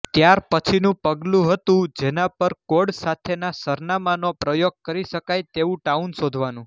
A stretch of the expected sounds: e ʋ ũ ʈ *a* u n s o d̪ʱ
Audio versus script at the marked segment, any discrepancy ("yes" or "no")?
no